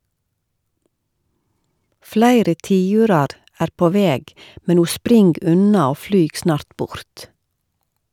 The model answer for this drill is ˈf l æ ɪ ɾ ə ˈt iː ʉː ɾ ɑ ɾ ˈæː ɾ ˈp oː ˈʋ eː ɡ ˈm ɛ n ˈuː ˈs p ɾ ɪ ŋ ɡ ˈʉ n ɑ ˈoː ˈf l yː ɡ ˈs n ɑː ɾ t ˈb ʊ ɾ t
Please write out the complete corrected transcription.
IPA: ˈf l æ ɪ ɾ ə ˈt iː ʉː ɾ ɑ ɾ ˈæː ɾ ˈp oː ˈʋ eː ɡ ˈm ɛ n ˈuː ˈs p ɾ ɪ ŋ ɡ ˈʉ n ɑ ˈoː ˈf l yː ɡ ˈs n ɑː ɾ t ˈb ʊ ɾ t